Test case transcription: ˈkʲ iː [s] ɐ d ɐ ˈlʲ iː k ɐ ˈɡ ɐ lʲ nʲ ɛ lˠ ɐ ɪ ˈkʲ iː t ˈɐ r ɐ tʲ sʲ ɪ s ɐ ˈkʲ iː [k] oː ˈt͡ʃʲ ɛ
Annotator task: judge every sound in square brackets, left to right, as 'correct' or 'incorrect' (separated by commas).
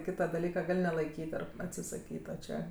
incorrect, incorrect